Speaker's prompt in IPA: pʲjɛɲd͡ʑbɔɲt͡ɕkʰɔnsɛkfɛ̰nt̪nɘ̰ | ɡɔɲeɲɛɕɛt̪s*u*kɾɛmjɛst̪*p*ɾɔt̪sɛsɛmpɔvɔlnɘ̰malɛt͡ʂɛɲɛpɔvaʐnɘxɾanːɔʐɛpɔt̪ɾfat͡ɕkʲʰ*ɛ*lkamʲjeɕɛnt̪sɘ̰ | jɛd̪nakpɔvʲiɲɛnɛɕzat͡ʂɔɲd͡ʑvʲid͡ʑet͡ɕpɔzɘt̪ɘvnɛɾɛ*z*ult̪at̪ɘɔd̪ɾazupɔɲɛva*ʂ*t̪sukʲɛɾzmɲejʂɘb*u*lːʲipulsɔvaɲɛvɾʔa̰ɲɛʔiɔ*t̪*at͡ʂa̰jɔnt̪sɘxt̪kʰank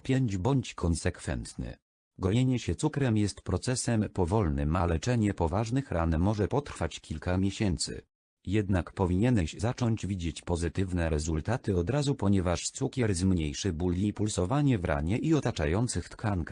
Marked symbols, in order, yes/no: yes, yes, no, yes, yes, yes, yes

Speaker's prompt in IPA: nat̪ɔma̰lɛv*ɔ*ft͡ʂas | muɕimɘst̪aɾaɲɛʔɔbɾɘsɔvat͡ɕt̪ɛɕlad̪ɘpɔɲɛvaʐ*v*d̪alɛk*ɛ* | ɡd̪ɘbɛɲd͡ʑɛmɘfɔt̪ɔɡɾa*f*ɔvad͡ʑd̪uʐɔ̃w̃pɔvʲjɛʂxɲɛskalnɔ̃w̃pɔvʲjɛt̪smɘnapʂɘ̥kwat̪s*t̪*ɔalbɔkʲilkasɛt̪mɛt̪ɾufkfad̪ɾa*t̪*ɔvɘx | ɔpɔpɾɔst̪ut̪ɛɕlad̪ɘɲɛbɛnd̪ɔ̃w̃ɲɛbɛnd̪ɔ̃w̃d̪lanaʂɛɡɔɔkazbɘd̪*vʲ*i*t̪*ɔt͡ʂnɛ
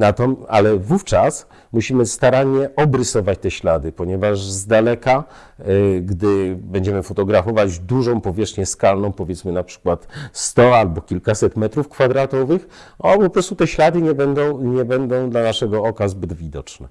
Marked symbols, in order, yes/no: no, no, no, yes, yes, yes, yes, no

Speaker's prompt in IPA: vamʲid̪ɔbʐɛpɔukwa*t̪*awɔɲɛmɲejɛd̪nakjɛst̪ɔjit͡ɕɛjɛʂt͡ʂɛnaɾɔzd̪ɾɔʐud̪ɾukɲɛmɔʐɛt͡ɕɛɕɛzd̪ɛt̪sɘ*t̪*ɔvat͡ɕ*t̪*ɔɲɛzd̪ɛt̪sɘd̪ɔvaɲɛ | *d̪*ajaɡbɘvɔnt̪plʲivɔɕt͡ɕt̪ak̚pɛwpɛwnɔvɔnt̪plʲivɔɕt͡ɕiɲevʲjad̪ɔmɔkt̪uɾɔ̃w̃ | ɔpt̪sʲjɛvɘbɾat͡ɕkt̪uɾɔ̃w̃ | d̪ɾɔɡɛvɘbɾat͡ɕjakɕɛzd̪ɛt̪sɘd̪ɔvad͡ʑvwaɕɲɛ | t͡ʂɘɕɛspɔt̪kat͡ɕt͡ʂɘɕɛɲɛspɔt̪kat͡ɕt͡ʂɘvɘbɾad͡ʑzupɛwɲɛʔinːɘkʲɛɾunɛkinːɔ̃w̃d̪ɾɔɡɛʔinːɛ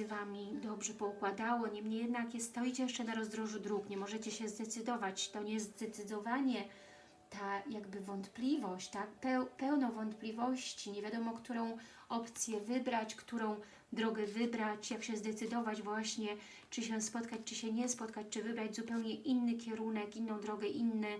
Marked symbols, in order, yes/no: no, no, yes, no

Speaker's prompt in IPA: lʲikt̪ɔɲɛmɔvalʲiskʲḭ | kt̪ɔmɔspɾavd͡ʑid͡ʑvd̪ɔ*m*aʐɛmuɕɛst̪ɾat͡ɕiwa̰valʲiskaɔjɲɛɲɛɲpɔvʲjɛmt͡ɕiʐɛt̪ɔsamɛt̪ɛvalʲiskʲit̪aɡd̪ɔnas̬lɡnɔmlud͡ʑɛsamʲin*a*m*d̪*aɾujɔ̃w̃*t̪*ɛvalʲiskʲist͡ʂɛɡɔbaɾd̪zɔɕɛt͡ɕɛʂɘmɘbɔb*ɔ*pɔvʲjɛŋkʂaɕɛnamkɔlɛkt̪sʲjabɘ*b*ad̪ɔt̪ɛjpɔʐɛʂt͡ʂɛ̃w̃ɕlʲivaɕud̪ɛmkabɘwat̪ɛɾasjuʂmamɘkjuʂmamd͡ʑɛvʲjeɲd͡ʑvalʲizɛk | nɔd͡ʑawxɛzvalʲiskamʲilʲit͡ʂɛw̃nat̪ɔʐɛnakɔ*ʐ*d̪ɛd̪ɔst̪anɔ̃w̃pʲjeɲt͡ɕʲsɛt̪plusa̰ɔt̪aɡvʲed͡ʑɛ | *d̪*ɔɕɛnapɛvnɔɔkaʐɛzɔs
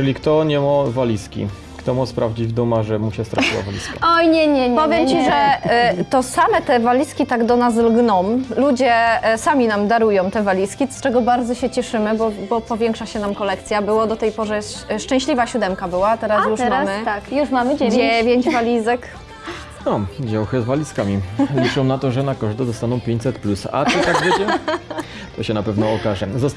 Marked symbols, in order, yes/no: yes, yes, yes, yes, yes, no, yes, no

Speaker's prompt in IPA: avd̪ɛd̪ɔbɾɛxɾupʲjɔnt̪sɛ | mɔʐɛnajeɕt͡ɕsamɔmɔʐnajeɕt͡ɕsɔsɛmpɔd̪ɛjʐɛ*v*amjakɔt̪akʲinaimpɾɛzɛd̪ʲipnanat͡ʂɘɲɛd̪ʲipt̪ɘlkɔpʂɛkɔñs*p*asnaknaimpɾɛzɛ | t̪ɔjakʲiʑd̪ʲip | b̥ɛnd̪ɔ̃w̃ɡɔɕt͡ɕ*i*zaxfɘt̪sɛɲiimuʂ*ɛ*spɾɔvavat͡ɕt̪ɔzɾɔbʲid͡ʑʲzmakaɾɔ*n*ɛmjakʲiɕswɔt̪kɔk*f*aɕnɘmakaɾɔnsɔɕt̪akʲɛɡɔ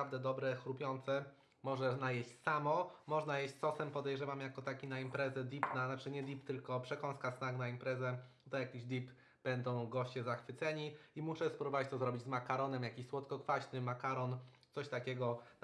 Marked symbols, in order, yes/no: yes, no, no, yes, yes, yes

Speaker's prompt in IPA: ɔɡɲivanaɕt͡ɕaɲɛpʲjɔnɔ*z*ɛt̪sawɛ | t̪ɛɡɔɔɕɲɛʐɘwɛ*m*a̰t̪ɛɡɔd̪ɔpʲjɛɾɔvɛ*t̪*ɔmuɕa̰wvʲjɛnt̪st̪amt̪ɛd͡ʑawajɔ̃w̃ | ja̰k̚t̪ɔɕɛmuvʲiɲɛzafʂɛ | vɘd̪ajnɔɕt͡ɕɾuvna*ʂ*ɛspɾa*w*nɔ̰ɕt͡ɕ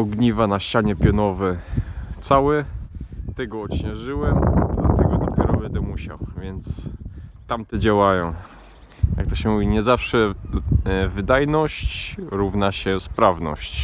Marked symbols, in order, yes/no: no, yes, no, no, no

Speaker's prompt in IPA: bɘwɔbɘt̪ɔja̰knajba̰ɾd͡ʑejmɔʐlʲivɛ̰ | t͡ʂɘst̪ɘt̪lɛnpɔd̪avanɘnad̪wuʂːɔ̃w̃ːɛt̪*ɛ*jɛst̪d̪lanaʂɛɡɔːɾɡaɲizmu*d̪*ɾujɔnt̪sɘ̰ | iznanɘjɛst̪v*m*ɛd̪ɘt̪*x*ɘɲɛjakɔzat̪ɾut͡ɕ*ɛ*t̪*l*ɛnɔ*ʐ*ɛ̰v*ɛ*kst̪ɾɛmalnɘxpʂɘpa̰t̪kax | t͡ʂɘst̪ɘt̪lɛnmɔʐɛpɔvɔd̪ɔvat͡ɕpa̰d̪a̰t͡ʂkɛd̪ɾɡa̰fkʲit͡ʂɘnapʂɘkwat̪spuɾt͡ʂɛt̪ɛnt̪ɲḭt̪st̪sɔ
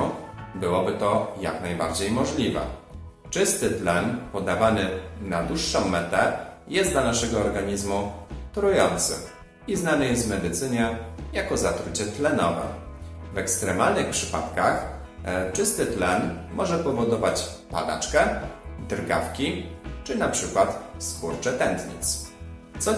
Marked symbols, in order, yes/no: yes, no, yes, no, yes, yes, no, yes

